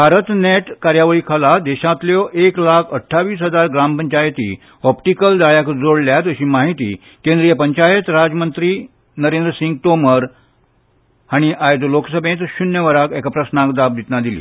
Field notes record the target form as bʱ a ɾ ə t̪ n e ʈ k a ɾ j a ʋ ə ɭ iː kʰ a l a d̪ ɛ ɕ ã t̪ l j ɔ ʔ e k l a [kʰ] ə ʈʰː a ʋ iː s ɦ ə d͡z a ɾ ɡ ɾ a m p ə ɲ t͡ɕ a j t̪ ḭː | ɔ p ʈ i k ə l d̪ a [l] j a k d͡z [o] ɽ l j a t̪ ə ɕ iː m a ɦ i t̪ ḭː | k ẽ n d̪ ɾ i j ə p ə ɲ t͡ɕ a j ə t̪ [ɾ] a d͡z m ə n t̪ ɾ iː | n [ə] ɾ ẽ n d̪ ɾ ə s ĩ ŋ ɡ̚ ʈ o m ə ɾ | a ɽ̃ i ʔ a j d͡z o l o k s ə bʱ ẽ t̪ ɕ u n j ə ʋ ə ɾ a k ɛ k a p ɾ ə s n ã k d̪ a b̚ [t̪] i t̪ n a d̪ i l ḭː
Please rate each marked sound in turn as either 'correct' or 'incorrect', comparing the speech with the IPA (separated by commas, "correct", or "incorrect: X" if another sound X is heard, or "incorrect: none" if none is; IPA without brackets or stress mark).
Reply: correct, incorrect: ɭ, correct, correct, correct, incorrect: d̪